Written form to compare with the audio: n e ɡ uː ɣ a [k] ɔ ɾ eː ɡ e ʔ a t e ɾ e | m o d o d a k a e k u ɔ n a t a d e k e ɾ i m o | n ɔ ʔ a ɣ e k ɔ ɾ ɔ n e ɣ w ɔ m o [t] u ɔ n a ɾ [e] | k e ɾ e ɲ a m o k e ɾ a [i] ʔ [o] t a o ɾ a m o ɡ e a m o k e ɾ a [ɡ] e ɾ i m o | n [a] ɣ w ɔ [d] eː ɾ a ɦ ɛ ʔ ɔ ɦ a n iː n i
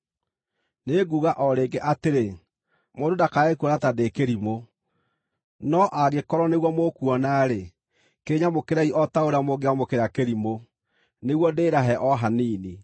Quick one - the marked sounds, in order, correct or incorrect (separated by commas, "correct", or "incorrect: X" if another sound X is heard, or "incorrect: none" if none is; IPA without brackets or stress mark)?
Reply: incorrect: ʔ, incorrect: k, correct, correct, incorrect: ɔ, incorrect: k, incorrect: e, correct